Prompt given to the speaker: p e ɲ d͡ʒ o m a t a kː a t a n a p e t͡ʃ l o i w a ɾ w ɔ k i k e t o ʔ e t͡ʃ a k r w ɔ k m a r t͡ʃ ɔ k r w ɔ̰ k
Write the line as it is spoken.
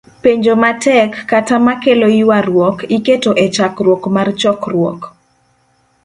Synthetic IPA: p e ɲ d͡ʒ o m a t ɛ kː a t a m a k e l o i w a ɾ w ɔ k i k e t o ʔ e t͡ʃ a k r w ɔ k m a r t͡ʃ ɔ k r w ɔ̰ k